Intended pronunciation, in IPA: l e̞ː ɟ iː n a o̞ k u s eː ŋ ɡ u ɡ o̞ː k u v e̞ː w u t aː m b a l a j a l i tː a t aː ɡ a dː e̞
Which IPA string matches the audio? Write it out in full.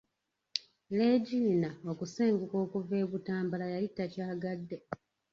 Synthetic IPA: l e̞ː ɟ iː n a o̞ k u s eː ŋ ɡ u k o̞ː k u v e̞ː β u t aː m b a l a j a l i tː a c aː ɡ a dː e̞